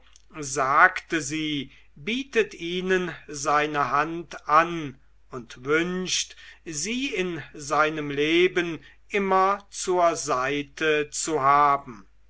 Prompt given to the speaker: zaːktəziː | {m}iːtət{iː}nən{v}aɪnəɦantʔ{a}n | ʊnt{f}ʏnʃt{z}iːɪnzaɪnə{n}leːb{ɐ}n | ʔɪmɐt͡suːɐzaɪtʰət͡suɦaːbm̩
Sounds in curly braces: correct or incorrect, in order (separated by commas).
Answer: incorrect, correct, incorrect, correct, incorrect, correct, incorrect, incorrect